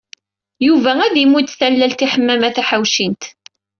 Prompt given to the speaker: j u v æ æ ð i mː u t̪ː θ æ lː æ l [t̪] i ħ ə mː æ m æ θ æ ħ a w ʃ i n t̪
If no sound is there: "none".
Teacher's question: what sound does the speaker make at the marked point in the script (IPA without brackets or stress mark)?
t̪